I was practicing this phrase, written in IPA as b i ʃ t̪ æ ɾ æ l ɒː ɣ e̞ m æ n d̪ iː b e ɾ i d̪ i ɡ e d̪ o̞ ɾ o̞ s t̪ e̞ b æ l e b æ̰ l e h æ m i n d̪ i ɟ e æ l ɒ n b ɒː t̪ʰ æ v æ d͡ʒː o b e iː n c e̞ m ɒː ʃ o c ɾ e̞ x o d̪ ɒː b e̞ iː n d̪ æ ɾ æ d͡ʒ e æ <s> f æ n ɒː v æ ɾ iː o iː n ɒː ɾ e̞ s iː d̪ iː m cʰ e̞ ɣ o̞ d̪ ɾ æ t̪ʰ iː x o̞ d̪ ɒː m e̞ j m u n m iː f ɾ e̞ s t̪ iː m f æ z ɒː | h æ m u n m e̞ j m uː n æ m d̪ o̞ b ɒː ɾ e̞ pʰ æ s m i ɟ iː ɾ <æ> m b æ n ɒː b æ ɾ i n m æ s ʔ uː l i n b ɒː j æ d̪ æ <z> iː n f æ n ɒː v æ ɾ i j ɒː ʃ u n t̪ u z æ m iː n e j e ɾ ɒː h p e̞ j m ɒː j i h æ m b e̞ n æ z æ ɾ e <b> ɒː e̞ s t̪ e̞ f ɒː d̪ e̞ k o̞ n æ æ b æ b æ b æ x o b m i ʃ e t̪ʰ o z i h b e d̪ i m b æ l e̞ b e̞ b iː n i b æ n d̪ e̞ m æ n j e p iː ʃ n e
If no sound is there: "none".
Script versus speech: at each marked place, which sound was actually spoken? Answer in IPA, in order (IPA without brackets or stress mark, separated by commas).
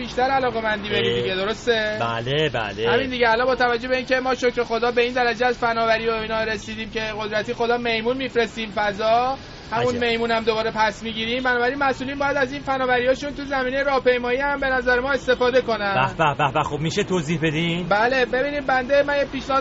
z, i, z, m